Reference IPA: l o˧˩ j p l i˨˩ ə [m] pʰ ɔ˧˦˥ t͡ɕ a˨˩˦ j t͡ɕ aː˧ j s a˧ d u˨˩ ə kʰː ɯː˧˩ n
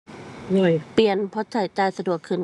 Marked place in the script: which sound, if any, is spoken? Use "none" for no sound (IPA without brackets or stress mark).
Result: n